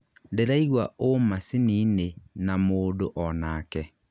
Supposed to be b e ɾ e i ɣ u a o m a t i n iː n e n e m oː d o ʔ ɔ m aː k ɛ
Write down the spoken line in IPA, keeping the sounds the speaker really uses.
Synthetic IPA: d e ɾ a i ɣ w a o m a s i n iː n e n a m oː d o ʔ ɔ n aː k ɛ

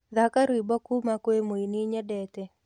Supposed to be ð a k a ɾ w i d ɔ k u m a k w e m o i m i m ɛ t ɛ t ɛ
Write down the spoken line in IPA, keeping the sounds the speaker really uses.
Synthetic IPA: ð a k a ɾ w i b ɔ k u m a k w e m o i n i ɲ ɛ d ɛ t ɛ

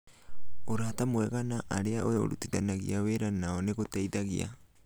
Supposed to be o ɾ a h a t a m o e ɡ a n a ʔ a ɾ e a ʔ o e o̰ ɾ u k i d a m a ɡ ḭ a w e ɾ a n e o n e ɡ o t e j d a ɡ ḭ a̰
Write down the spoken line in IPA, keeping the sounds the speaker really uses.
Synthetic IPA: o ɾ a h a t a m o e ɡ a n a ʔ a ɾ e a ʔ o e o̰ ɾ u t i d a n a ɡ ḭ a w e ɾ a n a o n e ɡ o t e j d a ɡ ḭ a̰

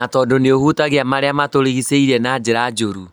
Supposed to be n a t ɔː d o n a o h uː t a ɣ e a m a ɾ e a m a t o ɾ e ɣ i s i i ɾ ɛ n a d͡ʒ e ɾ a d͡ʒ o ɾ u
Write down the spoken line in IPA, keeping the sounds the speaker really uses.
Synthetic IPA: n a t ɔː d o n e o h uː t a ɣ e a m a ɾ e a m a t o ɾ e ɣ i s e i ɾ ɛ n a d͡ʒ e ɾ a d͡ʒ o ɾ u

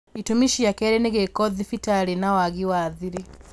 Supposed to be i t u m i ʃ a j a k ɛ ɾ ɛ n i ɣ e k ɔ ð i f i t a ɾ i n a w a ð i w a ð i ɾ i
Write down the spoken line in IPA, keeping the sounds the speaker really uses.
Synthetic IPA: i t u m i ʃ i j a k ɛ ɾ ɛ n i ɣ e k ɔ ð i f i t a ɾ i n a w a ɣ i w a ð i ɾ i

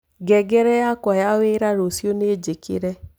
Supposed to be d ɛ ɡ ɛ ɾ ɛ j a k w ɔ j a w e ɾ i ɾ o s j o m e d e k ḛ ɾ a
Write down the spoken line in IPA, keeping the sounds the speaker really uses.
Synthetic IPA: ɡ ɛ ɡ ɛ ɾ ɛ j a k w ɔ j a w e ɾ a ɾ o s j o n e d͡ʒ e k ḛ ɾ ɛ

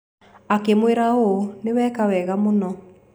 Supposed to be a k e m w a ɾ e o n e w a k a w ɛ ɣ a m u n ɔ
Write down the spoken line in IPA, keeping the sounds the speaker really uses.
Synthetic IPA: a k e m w e ɾ a o n e w ɛ k a w ɛ ɣ a m o n ɔ

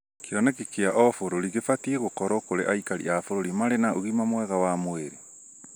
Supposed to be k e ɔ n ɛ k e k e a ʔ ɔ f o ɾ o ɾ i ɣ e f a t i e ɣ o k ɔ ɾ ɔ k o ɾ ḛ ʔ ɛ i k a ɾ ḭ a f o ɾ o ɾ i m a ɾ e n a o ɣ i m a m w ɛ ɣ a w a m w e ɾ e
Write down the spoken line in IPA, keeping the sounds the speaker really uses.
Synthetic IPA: k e ɔ n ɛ k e k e a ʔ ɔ f o ɾ o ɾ i ɣ e f a t i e ɣ o k ɔ ɾ ɔ k o ɾ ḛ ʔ a i k a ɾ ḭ a f o ɾ o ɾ i m a ɾ e n a o ɣ i m a m w ɛ ɣ a w a m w e ɾ e

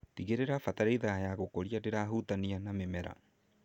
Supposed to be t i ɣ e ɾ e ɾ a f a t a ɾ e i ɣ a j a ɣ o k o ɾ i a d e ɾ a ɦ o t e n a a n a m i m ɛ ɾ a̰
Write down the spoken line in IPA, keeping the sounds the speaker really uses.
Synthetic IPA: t i ɣ e ɾ e ɾ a f a t a ɾ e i ð a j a ɣ o k o ɾ i a d e ɾ a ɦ u t a n i a n a m e m ɛ ɾ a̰

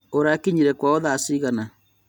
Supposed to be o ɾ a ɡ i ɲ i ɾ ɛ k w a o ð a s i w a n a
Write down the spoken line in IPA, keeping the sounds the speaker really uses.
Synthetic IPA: o ɾ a k i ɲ i ɾ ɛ k w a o ð a s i ɣ a n a

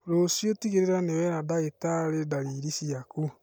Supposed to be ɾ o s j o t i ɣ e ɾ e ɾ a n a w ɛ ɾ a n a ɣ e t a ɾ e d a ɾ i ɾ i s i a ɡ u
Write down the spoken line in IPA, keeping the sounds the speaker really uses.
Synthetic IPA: ɾ o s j o t i ɣ e ɾ e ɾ a n e w ɛ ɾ a d a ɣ e t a ɾ e d a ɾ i ɾ i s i a k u

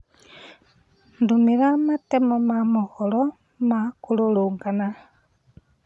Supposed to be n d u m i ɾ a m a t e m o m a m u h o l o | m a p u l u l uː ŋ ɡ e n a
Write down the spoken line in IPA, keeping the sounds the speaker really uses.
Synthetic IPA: n d u m i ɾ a m a t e m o m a m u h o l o | m a k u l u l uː ŋ ɡ a n a

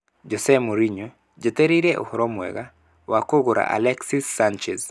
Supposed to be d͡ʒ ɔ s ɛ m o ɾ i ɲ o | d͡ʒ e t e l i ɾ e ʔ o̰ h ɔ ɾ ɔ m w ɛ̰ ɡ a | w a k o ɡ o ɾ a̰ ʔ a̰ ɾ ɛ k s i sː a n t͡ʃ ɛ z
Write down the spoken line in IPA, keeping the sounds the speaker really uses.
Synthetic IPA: d͡ʒ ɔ s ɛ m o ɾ i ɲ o | d͡ʒ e t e ɾ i ɾ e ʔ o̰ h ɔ ɾ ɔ m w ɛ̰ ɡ a | w a k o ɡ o ɾ a̰ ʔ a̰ l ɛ k s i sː a n t͡ʃ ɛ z

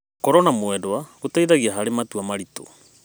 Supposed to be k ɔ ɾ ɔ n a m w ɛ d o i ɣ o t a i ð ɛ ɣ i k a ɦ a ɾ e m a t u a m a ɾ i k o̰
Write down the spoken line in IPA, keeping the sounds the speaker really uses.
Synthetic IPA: k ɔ ɾ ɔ n a m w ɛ d o a ɣ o t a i ð a ɣ i a ɦ a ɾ e m a t u a m a ɾ i t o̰

